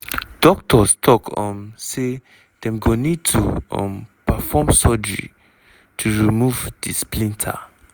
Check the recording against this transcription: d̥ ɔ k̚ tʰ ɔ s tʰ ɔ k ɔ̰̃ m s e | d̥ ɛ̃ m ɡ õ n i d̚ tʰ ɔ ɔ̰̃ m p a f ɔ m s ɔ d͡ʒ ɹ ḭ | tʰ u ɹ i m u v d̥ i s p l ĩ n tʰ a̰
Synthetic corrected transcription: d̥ ɔ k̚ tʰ ɔ s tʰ ɔ k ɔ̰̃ m s e | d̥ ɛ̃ m ɡ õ n i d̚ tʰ u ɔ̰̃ m p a f ɔ m s ɔ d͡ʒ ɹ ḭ | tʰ u ɹ i m u v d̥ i s p l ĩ n tʰ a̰